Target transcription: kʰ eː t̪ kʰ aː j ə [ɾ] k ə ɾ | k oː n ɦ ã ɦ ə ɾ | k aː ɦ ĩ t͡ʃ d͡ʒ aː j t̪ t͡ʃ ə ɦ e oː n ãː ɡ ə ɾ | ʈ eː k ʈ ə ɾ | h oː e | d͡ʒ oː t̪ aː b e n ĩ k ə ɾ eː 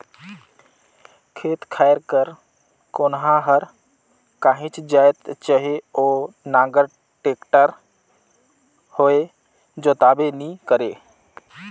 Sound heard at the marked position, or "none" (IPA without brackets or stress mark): ɾ